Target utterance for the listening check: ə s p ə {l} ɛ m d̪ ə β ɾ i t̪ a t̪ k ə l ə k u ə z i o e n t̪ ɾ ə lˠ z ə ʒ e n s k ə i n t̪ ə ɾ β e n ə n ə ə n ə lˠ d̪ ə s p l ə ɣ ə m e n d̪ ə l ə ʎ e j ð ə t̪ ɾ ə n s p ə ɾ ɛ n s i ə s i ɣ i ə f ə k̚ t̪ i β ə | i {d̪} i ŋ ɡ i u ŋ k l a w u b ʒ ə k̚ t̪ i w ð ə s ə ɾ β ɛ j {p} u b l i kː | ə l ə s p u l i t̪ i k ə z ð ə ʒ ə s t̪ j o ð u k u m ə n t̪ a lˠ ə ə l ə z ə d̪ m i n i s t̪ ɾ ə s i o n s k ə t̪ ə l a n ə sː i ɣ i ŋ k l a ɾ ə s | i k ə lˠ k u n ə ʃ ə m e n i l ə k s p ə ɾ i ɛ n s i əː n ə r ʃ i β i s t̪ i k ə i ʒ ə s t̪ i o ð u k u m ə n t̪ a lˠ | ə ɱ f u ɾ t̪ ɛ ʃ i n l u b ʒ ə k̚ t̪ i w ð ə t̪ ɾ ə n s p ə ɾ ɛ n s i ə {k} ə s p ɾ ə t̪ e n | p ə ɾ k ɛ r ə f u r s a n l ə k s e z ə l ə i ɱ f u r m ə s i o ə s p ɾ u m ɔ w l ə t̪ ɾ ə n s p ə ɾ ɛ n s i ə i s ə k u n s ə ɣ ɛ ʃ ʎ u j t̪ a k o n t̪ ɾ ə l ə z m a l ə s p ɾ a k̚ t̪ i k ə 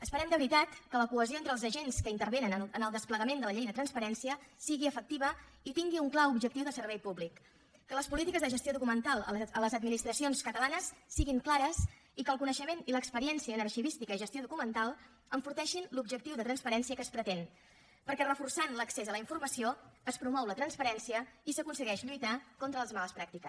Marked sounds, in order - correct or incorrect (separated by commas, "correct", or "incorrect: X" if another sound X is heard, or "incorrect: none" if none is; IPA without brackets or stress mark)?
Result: incorrect: ɾ, incorrect: t̪, correct, correct